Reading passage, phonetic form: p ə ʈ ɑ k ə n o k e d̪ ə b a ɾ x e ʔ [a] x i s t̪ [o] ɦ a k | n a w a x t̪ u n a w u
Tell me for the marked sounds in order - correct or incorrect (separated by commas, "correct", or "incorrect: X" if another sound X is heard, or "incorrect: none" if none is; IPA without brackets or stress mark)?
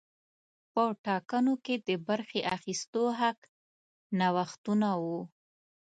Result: correct, correct